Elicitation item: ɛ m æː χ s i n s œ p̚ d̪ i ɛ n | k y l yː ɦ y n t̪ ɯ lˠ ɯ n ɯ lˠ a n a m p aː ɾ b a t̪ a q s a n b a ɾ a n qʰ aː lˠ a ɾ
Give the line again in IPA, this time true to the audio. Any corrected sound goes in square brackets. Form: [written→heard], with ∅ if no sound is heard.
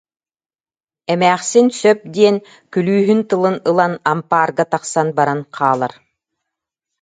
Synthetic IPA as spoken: ɛ m æː χ s i n s œ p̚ d̪ i ɛ n | k y l yː ɦ y n t̪ ɯ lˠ ɯ n ɯ lˠ a n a m p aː ɾ [b→ɡ] a t̪ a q s a n b a ɾ a n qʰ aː lˠ a ɾ